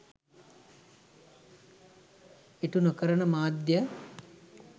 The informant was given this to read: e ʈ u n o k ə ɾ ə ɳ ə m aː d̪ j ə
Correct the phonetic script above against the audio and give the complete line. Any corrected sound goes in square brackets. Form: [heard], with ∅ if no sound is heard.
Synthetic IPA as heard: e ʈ u n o k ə ɾ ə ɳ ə m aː d̪ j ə